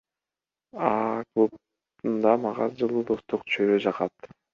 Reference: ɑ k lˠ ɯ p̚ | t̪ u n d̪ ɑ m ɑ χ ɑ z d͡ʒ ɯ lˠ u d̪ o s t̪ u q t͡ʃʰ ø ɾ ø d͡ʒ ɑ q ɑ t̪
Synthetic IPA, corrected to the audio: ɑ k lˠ u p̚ | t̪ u n d̪ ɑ m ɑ ʁ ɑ z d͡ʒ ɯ lˠ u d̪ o s t̪ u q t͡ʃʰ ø ɾ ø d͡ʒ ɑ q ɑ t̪